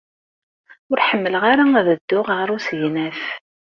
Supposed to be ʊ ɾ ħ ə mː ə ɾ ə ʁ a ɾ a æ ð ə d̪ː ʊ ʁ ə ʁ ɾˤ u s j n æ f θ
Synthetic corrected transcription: ʊ ɾ ħ ə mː ə l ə ʁ a ɾ a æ ð ə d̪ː ʊ ʁ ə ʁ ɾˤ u s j n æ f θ